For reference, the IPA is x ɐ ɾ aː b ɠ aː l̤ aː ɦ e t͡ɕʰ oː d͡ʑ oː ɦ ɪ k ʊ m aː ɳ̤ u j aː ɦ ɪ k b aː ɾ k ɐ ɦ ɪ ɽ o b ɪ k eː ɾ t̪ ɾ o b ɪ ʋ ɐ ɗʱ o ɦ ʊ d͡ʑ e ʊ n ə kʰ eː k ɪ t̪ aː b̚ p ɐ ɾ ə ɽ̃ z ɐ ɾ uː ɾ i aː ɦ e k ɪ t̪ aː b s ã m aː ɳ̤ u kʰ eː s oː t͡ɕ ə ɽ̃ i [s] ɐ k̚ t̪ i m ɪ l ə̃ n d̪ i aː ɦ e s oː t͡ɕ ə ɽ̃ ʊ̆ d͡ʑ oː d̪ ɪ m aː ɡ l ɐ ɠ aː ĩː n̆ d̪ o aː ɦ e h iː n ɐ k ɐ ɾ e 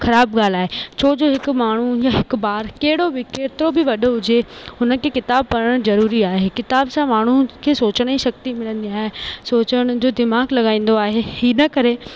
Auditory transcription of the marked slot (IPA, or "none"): ʃ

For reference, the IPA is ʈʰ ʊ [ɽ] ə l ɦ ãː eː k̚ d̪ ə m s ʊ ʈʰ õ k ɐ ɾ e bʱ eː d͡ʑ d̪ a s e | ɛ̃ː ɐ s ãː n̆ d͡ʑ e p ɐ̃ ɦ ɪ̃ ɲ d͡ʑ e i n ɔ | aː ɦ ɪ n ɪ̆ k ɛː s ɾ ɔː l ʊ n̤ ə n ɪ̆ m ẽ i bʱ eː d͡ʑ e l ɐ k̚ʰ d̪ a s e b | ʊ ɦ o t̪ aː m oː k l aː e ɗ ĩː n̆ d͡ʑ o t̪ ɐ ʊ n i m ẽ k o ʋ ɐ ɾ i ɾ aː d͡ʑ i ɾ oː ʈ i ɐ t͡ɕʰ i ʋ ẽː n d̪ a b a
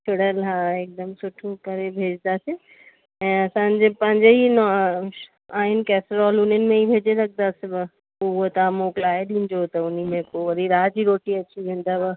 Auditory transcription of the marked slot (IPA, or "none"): ɽ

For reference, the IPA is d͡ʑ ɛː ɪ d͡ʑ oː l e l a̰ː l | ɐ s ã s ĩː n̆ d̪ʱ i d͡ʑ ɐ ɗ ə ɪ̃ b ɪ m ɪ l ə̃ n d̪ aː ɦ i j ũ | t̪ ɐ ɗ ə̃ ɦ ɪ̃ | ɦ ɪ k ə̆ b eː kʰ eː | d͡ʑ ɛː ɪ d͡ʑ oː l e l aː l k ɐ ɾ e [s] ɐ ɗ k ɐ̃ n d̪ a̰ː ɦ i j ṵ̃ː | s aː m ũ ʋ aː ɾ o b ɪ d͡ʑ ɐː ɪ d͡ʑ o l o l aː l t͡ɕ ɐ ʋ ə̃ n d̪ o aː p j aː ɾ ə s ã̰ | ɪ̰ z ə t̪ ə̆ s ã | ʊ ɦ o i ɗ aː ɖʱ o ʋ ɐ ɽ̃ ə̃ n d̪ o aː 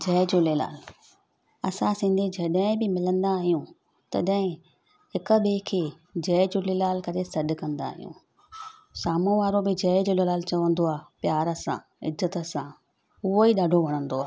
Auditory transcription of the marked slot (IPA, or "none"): s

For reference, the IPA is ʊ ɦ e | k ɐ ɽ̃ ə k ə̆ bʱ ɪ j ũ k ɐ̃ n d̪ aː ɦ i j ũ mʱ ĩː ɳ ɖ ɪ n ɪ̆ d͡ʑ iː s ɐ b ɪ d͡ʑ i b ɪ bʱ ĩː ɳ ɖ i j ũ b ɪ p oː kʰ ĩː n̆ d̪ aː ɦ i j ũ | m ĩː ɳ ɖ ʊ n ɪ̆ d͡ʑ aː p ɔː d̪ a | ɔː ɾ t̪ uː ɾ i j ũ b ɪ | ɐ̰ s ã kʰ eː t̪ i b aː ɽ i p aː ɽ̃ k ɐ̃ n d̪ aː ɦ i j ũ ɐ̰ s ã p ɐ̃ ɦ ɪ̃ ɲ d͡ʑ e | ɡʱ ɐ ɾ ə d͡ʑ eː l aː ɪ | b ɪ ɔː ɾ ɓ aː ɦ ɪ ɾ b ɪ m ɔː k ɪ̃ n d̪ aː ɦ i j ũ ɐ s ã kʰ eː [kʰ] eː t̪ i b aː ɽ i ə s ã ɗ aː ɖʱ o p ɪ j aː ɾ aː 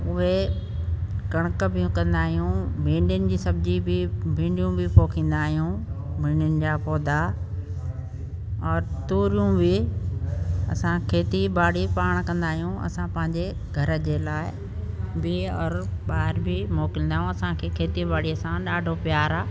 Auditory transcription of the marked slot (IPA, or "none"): kʰ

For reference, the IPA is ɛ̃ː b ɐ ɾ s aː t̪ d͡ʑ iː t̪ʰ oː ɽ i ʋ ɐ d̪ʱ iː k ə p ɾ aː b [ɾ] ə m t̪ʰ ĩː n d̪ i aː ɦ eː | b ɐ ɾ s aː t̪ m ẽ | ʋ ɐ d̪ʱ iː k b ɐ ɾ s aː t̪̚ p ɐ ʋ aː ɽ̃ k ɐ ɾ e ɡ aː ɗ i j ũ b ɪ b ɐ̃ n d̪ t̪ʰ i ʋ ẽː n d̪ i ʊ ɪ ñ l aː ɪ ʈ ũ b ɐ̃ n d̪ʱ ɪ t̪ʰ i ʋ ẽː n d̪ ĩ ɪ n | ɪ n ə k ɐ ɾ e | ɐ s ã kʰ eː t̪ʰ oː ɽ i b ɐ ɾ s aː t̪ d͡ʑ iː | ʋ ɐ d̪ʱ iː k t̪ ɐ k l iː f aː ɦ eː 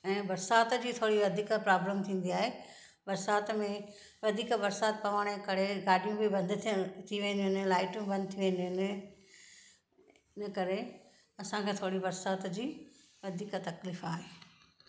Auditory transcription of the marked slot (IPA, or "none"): l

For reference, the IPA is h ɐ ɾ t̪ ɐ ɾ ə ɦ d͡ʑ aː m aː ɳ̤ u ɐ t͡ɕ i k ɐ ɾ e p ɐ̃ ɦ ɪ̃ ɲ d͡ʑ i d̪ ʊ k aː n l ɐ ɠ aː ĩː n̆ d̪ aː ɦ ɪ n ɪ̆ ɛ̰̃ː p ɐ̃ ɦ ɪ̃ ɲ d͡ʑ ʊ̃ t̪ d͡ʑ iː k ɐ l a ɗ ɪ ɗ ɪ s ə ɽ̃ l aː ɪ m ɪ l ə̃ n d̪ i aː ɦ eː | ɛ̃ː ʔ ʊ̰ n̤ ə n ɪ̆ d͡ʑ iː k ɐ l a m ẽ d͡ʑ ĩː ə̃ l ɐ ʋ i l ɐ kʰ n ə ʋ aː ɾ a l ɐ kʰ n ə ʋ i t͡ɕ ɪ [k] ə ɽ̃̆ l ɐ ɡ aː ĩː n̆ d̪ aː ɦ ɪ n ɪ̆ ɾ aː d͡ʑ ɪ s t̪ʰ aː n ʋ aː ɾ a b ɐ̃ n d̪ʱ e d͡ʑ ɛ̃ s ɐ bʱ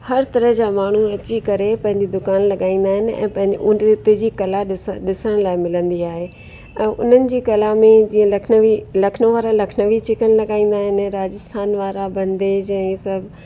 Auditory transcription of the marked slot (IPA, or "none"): k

